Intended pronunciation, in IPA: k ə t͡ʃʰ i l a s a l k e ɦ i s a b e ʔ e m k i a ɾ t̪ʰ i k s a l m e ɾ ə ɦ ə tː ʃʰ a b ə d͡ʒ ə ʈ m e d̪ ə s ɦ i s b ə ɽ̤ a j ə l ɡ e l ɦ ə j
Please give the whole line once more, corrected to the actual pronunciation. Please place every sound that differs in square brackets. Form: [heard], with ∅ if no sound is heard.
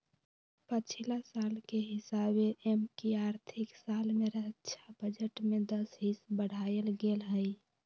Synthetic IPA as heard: [p] ə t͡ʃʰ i l a s a l k e ɦ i s a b e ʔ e m k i a ɾ t̪ʰ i k s a l m e ɾ ə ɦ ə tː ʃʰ a b ə d͡ʒ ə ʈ m e d̪ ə s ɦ i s b ə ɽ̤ a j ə l ɡ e l ɦ ə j